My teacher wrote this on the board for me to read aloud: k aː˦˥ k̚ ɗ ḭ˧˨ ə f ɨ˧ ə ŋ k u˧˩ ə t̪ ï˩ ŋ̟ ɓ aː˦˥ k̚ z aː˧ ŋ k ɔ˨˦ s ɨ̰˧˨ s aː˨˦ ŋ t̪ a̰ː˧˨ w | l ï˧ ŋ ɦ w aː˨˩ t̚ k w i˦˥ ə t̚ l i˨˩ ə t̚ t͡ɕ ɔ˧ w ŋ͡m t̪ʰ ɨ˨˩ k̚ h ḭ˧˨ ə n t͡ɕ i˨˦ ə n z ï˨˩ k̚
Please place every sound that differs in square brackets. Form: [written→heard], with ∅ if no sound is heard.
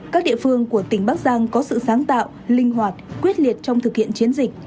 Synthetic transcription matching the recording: k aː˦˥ k̚ ɗ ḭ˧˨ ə f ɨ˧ ə ŋ k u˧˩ ə t̪ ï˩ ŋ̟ ɓ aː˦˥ k̚ z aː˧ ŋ k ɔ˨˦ s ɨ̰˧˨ s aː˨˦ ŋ t̪ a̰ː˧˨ w | l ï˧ ŋ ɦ w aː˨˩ t̚ k w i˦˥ ə t̚ l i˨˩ ə t̚ t͡ɕ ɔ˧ w ŋ͡m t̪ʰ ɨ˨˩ k̚ h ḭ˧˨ ə n t͡ɕ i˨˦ ə n z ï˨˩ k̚